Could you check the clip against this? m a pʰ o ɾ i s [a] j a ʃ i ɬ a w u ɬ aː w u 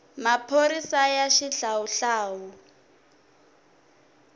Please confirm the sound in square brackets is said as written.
yes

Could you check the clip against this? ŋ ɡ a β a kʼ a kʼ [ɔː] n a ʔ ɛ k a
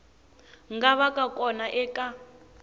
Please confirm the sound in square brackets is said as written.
no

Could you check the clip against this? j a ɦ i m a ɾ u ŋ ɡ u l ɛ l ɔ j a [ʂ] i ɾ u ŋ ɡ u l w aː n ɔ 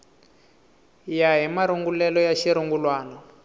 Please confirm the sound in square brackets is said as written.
no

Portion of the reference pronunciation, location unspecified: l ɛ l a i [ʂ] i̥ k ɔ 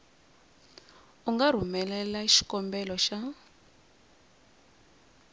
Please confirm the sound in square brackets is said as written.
no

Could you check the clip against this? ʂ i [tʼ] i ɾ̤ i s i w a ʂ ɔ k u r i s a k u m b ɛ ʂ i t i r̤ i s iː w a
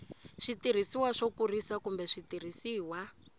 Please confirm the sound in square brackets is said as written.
no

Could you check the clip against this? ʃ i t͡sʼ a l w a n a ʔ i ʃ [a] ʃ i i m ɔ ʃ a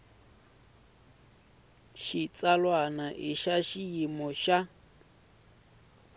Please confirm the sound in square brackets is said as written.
yes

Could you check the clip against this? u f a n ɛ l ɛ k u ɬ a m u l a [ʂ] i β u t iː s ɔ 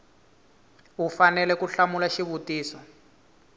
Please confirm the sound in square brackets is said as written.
no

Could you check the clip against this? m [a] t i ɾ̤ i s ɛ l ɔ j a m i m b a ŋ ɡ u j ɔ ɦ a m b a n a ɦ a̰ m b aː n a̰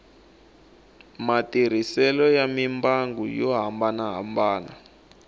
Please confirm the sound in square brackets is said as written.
yes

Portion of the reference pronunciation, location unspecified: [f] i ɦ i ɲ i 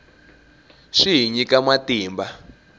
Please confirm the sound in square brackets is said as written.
no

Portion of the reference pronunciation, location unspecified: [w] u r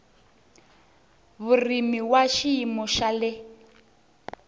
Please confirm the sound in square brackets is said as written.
no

